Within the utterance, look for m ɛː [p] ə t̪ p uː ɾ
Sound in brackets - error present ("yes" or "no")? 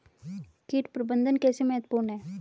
yes